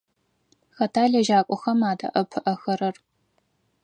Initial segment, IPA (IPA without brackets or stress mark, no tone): x